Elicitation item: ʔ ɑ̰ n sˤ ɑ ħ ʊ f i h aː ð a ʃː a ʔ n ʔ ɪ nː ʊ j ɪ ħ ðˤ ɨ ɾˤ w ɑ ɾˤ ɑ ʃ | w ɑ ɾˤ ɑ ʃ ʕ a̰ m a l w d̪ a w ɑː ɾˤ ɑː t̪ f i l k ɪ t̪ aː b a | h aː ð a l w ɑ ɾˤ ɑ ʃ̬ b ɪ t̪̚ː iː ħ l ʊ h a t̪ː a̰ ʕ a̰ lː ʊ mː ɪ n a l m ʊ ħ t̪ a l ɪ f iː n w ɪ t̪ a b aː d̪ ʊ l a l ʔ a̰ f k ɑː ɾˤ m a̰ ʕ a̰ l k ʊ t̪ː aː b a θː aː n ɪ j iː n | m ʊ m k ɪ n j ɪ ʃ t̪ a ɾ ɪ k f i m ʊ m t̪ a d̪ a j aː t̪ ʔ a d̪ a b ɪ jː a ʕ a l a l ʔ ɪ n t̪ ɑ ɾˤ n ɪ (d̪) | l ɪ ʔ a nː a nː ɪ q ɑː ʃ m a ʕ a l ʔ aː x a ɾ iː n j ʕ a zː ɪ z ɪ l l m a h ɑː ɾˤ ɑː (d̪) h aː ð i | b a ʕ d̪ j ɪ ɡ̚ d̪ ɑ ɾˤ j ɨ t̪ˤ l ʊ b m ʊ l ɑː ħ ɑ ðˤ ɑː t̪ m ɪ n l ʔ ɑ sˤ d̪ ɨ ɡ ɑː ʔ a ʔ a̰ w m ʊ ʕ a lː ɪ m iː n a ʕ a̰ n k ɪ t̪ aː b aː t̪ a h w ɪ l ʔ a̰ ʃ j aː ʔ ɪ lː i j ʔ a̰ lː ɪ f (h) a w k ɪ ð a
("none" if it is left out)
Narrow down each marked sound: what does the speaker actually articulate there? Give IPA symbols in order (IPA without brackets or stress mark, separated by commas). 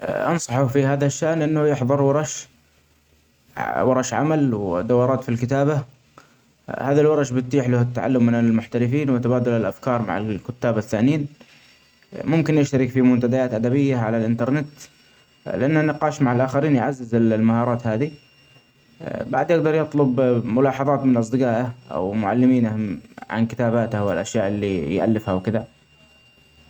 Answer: t̪, t̪, h